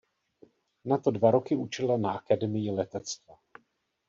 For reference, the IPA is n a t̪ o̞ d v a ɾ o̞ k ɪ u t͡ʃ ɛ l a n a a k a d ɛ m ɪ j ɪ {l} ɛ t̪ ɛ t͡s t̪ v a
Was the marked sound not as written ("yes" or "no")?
no